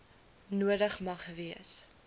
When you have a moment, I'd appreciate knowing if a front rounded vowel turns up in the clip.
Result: no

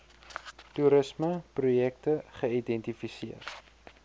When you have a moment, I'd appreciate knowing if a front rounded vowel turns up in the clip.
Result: no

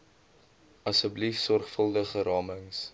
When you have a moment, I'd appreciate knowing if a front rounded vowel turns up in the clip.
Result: no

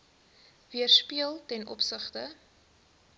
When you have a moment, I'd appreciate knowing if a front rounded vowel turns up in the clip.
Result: no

